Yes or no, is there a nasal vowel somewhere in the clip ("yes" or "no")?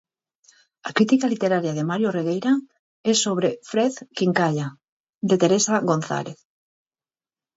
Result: no